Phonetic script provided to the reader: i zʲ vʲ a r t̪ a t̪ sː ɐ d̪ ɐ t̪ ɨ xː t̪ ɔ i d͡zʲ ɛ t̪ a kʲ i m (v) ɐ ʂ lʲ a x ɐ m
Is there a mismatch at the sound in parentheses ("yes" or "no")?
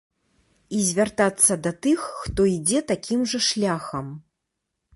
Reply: yes